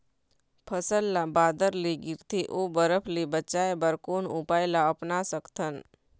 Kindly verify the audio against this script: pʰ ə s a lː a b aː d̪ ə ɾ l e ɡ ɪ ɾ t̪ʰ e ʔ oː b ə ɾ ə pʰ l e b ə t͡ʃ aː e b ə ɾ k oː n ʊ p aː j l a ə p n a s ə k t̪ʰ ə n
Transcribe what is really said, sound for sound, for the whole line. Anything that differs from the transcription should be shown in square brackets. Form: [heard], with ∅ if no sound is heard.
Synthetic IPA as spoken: pʰ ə s [ə] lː a b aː d̪ ə ɾ l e ɡ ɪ ɾ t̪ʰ e ʔ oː b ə ɾ ə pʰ l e b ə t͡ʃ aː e b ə ɾ k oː n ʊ p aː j l a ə p n a s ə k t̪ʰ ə n